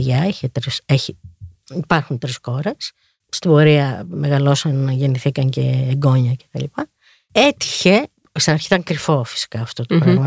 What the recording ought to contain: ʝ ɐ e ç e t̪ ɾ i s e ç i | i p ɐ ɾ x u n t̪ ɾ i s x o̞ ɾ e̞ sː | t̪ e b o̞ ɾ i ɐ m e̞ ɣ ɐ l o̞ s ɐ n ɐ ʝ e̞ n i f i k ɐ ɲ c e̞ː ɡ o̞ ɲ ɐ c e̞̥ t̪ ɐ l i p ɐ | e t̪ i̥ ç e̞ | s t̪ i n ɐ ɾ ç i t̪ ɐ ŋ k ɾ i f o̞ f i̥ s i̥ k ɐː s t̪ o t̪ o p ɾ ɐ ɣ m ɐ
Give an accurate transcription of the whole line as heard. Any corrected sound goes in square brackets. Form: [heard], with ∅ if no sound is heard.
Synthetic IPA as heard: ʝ ɐ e ç e t̪ ɾ i s e ç i | i p ɐ ɾ x u n t̪ ɾ i s x o̞ ɾ e̞ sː | t̪ [i] b o̞ ɾ i ɐ m e̞ ɣ ɐ l o̞ s ɐ n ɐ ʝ e̞ n i [θ] i k ɐ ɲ c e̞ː ɡ o̞ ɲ ɐ c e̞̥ t̪ ɐ l i p ɐ | e t̪ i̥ ç e̞ | s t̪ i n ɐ ɾ ç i t̪ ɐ ŋ k ɾ i f o̞ f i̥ s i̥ k ɐː [f] t̪ o t̪ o p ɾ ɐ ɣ m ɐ